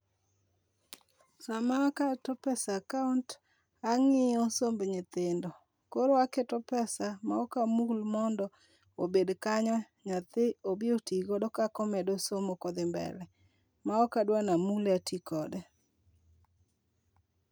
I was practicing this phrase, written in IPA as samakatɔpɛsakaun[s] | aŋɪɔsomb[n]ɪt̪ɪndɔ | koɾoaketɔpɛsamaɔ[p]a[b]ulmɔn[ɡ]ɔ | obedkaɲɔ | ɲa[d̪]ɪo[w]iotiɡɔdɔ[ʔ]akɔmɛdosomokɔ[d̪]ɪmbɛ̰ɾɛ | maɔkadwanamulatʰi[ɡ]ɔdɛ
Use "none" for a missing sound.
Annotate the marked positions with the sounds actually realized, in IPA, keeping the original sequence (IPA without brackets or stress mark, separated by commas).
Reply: t, ɲ, k, m, d, t̪, b, k, d̪, k